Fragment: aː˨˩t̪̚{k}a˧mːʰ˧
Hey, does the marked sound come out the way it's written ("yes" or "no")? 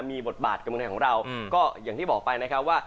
yes